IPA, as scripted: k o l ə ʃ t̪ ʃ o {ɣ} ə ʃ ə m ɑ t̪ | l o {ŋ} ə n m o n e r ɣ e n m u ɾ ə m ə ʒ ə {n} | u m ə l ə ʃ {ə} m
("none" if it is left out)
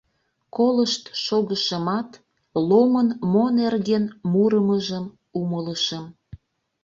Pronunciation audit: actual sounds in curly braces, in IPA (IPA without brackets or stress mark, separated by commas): ɣ, m, m, ə